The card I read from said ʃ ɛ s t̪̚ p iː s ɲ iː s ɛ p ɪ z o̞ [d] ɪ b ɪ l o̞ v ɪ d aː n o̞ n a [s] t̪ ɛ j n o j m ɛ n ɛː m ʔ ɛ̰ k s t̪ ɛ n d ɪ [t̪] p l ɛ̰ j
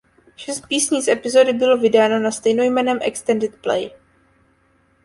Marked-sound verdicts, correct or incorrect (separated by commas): correct, correct, correct